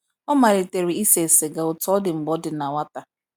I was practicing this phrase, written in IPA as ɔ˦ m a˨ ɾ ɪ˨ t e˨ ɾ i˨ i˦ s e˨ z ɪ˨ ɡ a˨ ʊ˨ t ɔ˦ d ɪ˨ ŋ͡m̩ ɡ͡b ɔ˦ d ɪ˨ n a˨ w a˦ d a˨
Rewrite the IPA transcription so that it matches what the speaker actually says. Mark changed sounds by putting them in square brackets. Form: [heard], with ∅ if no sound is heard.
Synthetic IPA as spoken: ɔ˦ m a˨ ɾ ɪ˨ t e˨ ɾ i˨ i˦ s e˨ [s] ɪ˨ ɡ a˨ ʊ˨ t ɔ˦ d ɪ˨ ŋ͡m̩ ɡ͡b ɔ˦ d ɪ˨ n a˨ w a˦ [t] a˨